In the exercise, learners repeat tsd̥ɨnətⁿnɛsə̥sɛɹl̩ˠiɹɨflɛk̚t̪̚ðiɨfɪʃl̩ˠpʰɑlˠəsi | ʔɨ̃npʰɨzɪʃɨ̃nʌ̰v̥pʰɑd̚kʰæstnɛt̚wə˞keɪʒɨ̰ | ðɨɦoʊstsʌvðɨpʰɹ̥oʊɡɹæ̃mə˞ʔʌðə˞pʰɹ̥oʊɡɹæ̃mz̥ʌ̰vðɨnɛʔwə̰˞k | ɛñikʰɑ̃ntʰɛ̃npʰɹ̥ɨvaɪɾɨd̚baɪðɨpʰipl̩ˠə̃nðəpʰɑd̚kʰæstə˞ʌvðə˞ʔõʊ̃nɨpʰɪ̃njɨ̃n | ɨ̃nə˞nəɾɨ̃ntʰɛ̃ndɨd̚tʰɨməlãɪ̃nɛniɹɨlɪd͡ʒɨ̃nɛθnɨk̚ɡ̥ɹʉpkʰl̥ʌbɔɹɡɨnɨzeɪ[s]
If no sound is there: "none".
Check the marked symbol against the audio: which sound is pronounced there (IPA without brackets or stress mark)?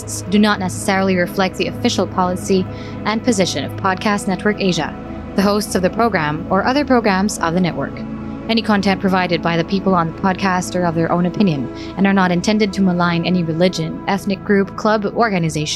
ʃ